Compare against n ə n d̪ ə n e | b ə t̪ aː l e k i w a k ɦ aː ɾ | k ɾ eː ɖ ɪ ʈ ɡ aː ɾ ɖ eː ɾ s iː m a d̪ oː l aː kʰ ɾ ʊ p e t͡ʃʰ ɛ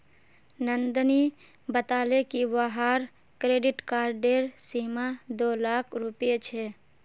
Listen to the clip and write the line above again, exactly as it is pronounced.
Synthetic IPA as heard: n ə n d̪ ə n i | b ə t̪ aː l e k i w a ɦ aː ɾ | k ɾ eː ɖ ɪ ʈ k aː ɾ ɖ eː ɾ s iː m a d̪ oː l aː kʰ ɾ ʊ p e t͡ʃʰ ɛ